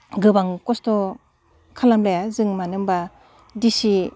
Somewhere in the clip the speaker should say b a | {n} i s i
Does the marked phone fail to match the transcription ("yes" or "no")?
yes